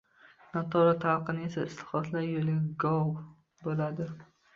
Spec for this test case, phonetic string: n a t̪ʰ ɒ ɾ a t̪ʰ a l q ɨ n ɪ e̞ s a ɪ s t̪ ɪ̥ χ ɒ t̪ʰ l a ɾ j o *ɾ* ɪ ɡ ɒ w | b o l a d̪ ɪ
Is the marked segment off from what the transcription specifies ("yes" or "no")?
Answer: yes